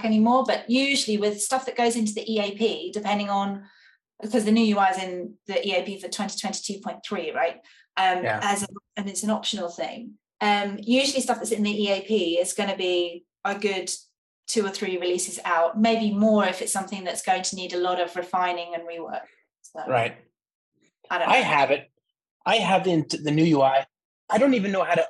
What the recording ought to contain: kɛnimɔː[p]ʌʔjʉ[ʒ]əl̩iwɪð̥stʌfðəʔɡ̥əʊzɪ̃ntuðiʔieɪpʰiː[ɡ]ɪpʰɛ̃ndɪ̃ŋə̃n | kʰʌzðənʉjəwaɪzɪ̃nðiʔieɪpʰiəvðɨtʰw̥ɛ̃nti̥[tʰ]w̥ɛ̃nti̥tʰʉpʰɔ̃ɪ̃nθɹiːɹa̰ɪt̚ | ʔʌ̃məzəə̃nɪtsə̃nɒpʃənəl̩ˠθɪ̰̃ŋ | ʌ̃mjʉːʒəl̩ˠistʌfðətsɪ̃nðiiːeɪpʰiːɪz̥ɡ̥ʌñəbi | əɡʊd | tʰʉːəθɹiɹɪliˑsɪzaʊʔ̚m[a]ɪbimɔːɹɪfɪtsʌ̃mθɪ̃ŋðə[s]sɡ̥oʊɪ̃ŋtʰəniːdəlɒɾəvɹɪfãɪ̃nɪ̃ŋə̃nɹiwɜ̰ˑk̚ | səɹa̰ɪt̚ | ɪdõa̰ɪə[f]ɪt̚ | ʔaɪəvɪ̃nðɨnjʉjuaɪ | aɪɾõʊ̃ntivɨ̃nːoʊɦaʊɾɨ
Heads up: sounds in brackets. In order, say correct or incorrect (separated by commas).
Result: incorrect, correct, incorrect, correct, incorrect, incorrect, incorrect